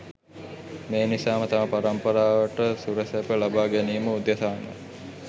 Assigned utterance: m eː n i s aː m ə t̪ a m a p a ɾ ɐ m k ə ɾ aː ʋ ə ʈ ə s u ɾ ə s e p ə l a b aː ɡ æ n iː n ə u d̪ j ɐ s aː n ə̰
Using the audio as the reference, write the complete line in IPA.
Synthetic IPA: m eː n i s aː m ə t̪ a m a p a ɾ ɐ m p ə ɾ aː ʋ ə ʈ ə s u ɾ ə s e p ə l a b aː ɡ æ n iː m ə u d̪ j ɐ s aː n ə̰